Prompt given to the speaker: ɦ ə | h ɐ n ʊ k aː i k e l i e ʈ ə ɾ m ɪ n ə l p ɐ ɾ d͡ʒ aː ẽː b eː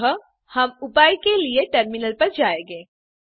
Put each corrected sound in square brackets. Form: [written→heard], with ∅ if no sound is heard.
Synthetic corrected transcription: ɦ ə | h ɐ [n→m] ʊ [k→p] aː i k e l i e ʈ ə ɾ m ɪ n ə l p ɐ ɾ d͡ʒ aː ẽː [b→ɡ] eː